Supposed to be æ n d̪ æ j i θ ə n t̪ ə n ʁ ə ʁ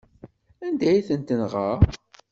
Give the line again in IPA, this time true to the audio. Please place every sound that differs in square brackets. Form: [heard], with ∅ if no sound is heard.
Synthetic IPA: æ n d̪ æ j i θ ə n t̪ ə n ʁ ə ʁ